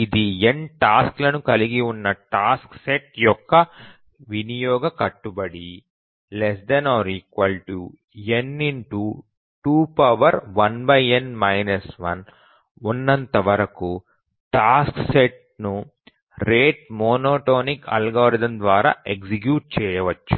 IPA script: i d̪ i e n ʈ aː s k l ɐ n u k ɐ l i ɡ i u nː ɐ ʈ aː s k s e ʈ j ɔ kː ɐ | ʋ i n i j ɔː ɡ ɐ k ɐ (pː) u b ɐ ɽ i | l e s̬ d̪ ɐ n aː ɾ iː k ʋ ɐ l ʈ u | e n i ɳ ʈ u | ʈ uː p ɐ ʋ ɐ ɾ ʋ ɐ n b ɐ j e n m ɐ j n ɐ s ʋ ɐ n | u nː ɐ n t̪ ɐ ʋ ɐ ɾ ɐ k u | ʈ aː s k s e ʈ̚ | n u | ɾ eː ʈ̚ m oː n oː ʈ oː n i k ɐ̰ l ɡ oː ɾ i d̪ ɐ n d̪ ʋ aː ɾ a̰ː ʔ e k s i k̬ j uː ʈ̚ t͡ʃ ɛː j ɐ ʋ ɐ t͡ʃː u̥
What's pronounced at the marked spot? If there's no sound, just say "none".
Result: ʈː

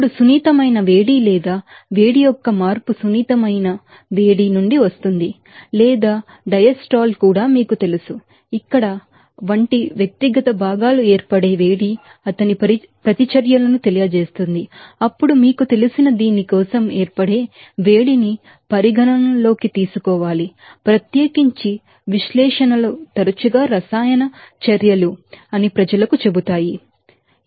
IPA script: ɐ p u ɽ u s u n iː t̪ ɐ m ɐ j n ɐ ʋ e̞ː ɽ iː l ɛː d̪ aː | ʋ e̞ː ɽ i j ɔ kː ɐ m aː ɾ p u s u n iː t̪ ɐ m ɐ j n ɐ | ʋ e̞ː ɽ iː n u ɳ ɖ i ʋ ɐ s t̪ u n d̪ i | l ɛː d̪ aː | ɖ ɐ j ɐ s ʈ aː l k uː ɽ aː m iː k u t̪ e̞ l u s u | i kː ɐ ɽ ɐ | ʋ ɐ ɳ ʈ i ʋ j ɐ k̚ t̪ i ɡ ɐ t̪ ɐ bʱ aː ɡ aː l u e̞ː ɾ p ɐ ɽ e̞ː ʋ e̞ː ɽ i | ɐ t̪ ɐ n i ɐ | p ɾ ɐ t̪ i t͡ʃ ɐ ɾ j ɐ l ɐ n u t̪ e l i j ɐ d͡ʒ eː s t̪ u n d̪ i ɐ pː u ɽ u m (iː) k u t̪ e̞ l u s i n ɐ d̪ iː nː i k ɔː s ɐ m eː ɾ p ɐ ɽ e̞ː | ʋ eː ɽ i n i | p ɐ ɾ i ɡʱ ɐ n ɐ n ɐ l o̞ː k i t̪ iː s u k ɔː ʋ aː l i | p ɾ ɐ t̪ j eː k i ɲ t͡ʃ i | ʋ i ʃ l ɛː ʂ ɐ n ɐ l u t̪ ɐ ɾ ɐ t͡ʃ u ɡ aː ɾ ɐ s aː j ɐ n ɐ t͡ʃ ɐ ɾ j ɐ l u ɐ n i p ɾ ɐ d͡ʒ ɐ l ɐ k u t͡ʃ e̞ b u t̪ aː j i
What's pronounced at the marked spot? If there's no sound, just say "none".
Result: iː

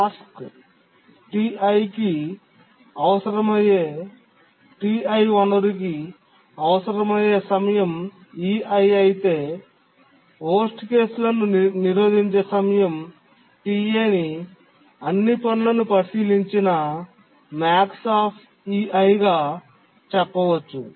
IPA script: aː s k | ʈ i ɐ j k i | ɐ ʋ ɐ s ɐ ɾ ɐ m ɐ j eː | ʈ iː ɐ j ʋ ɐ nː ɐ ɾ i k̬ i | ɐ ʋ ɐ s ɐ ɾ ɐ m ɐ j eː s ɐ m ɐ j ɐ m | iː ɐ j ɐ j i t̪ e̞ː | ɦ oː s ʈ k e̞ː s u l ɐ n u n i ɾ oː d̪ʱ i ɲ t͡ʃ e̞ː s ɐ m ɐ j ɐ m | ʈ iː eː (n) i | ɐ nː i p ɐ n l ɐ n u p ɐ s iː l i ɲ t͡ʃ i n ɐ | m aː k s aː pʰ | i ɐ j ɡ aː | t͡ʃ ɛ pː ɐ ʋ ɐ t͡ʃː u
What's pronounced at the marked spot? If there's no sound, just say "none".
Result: n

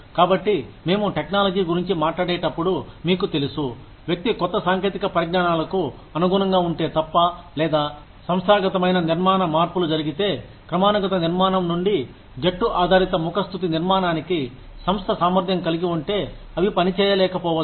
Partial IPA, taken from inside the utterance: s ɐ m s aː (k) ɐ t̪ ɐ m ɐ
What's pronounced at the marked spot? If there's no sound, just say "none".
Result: ɡ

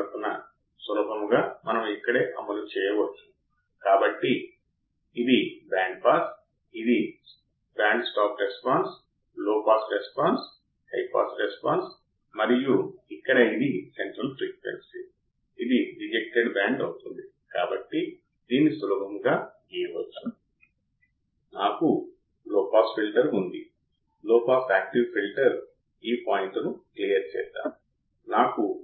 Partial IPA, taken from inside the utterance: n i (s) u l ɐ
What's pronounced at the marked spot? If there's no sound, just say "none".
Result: s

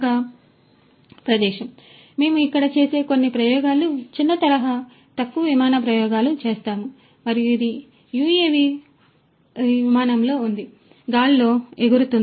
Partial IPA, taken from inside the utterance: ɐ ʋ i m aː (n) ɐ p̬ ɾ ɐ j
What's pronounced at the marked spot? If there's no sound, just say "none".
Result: n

